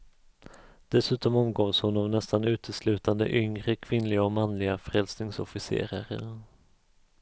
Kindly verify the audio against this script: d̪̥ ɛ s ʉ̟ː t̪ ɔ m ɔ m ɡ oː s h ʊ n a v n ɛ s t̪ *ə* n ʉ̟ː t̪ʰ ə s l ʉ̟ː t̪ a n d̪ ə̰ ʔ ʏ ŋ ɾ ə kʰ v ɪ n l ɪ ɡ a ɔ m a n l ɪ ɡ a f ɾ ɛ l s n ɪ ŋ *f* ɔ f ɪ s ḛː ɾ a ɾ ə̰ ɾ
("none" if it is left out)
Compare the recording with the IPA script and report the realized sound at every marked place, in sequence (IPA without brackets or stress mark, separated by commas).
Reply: a, s